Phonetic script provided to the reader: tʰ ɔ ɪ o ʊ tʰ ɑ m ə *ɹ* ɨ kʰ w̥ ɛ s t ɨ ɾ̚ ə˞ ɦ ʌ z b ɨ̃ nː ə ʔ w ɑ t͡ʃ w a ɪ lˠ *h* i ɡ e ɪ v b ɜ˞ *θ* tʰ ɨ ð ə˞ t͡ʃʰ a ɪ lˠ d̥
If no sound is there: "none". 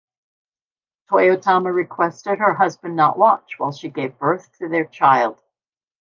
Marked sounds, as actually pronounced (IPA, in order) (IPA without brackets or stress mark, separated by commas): ɹ, ʃ, θ